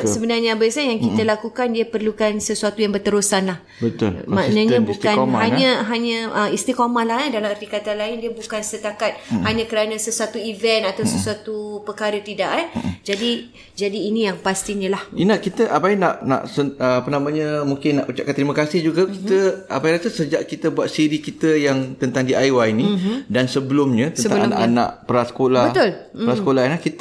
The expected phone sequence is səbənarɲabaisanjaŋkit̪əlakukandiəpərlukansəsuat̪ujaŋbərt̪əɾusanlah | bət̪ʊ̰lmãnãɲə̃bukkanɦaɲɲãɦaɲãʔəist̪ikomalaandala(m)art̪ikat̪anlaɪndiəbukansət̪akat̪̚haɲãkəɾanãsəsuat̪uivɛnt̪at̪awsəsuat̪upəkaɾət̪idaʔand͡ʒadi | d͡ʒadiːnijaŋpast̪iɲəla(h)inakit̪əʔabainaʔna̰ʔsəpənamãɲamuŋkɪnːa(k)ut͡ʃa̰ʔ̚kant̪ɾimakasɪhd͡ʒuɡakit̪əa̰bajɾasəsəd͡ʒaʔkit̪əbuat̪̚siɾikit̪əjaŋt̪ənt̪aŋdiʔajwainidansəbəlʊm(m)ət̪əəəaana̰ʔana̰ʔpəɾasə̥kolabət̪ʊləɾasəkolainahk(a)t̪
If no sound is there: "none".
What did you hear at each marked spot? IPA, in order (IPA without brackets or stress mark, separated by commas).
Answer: m, h, ʔ, ɲ, i